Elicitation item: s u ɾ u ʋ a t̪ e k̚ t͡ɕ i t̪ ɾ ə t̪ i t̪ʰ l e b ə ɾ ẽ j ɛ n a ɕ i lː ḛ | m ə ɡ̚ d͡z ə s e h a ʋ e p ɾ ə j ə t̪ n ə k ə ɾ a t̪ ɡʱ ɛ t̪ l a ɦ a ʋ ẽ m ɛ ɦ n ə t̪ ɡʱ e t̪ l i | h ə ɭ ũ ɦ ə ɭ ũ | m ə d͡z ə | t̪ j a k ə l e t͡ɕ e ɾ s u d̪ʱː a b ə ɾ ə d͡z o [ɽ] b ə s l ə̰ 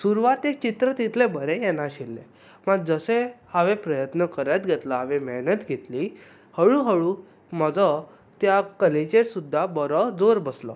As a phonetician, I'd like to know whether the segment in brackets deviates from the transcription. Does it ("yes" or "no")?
yes